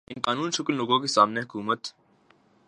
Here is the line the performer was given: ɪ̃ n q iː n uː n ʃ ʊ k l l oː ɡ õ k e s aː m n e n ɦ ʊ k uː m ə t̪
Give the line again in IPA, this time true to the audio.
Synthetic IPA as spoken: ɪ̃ n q aː n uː n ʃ ʊ k l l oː ɡ õ k e s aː m n e ɦ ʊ k uː m ə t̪